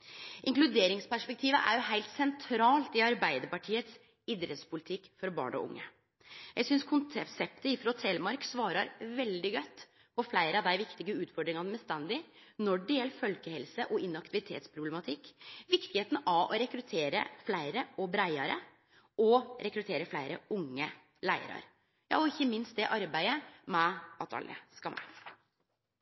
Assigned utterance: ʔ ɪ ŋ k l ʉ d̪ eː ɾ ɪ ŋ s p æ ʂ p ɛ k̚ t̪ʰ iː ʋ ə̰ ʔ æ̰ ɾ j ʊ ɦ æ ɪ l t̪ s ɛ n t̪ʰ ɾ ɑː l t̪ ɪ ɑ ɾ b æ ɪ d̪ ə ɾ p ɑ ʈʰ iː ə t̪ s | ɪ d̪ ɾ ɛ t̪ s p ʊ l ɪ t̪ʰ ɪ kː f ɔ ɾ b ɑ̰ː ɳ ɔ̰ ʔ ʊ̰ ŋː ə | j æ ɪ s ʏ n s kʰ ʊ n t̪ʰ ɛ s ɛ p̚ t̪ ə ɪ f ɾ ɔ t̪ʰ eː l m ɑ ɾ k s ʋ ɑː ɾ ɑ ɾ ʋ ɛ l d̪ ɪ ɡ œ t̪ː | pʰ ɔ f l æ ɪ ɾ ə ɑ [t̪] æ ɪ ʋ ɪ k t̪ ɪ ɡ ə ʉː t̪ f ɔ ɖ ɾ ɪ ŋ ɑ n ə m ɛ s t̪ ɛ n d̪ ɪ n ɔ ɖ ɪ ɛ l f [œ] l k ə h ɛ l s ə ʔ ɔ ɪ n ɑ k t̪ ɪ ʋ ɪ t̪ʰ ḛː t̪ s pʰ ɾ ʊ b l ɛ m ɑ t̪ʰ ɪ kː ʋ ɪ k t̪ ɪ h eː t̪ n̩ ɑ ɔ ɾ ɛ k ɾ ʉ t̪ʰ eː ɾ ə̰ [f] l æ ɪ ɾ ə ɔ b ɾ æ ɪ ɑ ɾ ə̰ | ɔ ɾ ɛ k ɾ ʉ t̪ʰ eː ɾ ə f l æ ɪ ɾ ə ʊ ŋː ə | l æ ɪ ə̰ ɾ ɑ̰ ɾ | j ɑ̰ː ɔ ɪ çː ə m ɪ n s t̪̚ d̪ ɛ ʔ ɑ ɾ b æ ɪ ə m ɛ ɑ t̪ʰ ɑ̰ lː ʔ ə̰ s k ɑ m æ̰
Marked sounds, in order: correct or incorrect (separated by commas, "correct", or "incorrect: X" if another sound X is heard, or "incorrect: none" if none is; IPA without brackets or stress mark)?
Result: incorrect: d̪, correct, correct